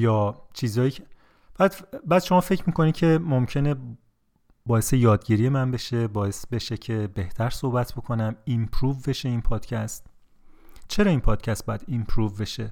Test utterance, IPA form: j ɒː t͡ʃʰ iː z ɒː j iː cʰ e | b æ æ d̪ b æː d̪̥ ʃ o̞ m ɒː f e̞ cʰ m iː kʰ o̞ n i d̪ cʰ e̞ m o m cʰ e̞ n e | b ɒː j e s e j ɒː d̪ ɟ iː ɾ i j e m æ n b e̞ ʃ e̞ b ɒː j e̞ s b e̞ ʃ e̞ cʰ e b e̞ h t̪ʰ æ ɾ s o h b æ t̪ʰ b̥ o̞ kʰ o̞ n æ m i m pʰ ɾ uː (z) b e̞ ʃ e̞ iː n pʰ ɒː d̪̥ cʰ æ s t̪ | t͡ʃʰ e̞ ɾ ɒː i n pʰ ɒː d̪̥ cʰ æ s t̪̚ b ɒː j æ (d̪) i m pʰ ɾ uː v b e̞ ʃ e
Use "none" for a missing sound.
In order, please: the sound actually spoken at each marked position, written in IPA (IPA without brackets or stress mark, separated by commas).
v, d̪